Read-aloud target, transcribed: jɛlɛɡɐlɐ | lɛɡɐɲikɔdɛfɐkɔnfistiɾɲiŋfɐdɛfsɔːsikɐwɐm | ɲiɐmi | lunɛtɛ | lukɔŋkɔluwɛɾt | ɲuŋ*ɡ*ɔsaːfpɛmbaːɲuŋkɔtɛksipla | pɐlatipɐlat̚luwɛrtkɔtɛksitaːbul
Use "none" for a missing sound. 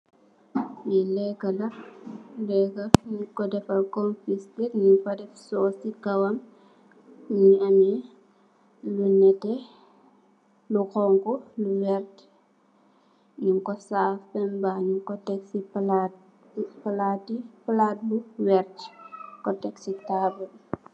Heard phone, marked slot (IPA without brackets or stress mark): k